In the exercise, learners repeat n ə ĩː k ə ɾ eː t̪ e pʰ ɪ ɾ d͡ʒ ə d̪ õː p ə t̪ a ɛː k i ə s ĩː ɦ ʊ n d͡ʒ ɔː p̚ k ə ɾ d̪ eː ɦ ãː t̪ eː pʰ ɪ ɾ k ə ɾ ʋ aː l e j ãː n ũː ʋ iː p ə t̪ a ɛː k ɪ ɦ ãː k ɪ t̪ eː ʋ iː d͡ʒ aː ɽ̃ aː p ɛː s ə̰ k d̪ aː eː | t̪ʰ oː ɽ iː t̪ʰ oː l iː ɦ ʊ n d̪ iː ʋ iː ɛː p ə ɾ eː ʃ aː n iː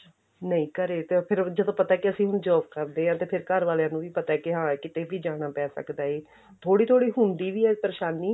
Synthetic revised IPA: n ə ĩː k ə ɾ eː t̪ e pʰ ɪ ɾ d͡ʒ ə d̪ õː p ə t̪ a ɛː k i ə s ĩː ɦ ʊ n d͡ʒ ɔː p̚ k ə ɾ d̪ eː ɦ ãː t̪ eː pʰ ɪ ɾ k ə ɾ ʋ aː l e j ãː n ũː ʋ iː p ə t̪ a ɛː k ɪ ɦ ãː k ɪ t̪ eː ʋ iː d͡ʒ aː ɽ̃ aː p ɛː s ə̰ k d̪ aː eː | t̪ʰ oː ɽ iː t̪ʰ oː ɽ iː ɦ ʊ n d̪ iː ʋ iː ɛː p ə ɾ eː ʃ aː n iː